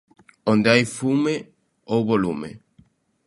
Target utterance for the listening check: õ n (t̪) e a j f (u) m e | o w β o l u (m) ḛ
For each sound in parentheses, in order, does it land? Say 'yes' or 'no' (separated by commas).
no, yes, yes